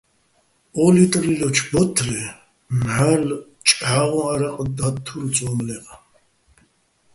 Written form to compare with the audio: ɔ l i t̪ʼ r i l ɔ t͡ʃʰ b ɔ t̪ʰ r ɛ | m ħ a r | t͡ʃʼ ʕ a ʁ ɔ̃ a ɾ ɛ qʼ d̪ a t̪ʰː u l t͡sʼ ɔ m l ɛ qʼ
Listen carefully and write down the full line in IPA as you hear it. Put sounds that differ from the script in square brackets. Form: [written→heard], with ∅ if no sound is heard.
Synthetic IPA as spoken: ɔ l i t̪ʼ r i l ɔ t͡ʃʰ b ɔ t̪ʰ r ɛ | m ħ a [r→l] | t͡ʃʼ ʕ a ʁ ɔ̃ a ɾ [ɛ→a] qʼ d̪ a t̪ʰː u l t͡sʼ ɔ m l ɛ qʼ